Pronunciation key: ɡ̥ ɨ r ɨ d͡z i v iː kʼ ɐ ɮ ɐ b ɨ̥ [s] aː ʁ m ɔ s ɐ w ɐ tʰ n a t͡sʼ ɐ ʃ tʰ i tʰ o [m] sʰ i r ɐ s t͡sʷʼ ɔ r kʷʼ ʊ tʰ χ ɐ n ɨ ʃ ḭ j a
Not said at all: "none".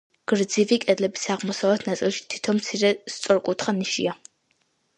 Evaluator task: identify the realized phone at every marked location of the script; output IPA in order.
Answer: s, m

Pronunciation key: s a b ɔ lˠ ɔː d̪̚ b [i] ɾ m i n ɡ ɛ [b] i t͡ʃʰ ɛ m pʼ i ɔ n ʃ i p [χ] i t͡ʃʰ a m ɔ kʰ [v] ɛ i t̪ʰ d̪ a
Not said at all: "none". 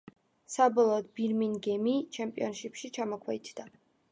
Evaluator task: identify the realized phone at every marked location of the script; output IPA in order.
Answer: i, m, ʃ, w

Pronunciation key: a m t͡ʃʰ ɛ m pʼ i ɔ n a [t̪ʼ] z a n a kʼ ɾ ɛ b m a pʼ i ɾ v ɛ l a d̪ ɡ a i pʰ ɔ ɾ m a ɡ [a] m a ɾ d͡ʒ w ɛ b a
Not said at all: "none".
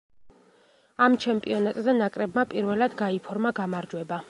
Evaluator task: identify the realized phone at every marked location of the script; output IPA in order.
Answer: t̪ʼ, a

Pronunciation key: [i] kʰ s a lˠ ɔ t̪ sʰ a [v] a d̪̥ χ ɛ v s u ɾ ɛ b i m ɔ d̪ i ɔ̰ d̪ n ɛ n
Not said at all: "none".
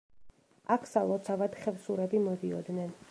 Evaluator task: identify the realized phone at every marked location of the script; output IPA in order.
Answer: a, v

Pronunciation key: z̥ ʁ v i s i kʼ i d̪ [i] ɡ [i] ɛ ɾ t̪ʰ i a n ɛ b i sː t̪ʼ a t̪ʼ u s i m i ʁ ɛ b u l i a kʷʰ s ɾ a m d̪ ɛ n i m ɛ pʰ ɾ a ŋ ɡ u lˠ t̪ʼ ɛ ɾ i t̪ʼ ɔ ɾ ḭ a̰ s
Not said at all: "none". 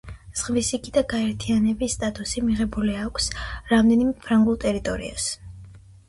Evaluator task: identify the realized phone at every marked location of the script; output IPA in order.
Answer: a, a

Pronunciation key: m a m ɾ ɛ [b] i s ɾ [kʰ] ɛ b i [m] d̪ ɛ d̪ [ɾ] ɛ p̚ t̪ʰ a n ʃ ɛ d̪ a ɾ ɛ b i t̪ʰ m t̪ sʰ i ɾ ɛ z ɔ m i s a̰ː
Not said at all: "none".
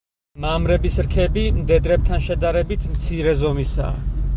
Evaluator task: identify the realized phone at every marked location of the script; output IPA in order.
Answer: b, kʰ, m, ɾ

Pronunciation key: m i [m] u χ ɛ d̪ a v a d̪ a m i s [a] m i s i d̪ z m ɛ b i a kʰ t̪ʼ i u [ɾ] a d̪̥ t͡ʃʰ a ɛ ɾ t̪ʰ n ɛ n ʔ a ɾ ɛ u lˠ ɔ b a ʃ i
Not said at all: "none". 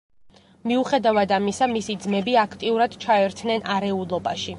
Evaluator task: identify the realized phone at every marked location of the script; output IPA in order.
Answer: none, a, ɾ

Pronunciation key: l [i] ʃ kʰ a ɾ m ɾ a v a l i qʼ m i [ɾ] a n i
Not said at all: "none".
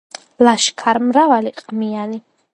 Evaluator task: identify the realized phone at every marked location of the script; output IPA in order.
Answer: a, none

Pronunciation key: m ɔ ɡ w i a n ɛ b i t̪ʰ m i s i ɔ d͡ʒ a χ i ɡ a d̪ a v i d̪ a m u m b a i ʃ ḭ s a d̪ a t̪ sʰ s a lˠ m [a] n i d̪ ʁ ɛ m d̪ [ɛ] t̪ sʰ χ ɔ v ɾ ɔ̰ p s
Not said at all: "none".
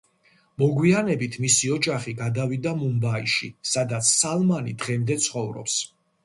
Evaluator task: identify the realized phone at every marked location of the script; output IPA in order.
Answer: a, ɛ

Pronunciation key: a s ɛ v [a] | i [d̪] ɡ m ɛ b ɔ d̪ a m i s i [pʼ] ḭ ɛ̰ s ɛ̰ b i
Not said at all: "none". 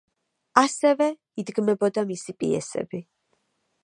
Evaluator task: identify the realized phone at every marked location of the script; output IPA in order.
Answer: ɛ, d̪, pʼ

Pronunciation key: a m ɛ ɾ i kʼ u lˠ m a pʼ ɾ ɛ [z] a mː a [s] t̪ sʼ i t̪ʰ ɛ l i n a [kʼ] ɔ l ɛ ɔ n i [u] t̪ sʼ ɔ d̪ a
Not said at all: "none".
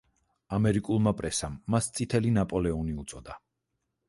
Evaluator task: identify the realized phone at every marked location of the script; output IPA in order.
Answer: s, s, pʼ, u

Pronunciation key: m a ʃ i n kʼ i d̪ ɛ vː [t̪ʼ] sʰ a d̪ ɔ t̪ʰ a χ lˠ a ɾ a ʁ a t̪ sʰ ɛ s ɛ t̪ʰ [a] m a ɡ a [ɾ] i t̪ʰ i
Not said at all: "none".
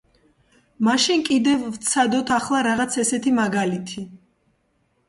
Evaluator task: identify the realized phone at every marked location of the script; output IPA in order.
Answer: t̪, i, l

